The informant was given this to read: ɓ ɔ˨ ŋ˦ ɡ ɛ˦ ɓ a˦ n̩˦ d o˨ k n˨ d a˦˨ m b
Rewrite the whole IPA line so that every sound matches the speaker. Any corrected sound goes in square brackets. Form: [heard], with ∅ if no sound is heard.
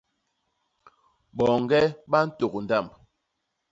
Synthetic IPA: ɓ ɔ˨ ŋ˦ ɡ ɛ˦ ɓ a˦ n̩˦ [t] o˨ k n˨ d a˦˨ m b